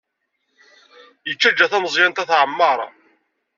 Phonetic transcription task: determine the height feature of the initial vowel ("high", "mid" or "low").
mid